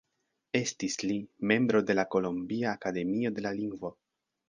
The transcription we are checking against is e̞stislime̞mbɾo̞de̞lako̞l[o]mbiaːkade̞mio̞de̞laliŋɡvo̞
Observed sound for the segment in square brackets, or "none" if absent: o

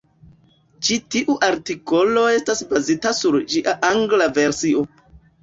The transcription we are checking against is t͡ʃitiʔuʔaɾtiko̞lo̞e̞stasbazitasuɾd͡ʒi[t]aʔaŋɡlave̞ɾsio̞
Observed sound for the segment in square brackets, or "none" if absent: ʔ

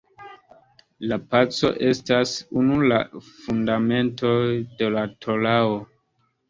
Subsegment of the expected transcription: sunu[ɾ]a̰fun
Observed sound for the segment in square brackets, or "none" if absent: l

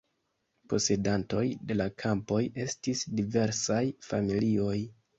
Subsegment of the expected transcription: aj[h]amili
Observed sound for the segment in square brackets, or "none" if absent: f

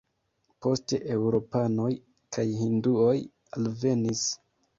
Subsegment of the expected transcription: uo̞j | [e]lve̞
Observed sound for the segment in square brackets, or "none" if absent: a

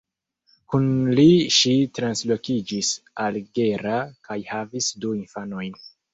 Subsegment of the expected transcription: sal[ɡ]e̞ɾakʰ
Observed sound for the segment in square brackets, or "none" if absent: ɡ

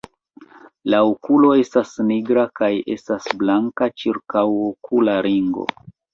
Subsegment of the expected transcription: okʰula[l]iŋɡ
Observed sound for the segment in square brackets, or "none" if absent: ɾ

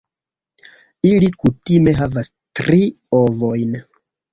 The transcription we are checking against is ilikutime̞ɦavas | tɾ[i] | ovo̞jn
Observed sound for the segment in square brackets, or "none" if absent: i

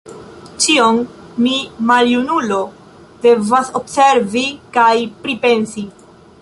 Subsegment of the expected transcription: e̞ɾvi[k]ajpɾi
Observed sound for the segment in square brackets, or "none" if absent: k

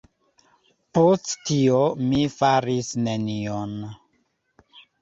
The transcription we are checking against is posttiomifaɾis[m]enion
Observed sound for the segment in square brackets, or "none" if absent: n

